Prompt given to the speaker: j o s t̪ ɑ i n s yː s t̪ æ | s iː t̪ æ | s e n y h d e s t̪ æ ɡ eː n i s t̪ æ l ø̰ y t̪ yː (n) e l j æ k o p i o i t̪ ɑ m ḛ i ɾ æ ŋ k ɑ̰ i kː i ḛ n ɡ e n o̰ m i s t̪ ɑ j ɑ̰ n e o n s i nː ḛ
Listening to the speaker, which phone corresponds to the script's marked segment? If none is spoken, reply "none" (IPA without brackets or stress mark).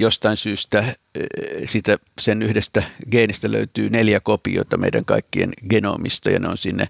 n